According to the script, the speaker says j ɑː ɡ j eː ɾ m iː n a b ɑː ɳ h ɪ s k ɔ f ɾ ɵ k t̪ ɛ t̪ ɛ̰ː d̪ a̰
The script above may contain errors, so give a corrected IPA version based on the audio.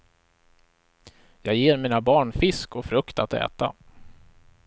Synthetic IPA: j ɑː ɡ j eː ɾ m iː n a b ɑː ɳ f ɪ s k ɔ f ɾ ɵ k t̪ a t̪ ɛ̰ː t̪ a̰